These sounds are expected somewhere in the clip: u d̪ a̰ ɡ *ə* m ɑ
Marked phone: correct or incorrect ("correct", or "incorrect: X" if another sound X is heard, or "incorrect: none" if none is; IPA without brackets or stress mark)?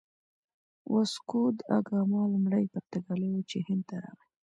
incorrect: ɑ